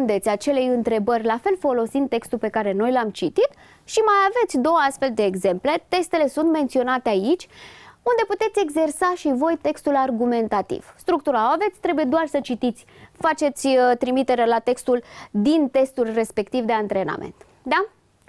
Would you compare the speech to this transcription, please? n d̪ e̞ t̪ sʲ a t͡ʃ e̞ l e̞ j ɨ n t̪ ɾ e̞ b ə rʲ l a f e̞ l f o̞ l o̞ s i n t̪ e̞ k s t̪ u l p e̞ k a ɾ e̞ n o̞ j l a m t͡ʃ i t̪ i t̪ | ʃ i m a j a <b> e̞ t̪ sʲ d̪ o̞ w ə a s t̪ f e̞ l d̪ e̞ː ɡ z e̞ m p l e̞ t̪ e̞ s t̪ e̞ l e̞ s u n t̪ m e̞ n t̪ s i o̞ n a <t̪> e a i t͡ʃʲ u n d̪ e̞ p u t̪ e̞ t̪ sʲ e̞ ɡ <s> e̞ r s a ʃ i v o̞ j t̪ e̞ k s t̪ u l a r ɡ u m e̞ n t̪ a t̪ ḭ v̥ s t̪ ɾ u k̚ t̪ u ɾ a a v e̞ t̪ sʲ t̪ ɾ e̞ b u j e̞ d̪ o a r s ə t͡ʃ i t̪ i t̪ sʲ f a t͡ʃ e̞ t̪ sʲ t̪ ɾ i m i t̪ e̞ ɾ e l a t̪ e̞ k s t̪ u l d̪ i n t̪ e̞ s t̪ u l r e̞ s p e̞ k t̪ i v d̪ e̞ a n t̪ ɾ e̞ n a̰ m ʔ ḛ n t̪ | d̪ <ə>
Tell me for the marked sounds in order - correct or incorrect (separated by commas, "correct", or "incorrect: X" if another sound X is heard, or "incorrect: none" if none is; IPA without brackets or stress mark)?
incorrect: v, correct, incorrect: z, incorrect: a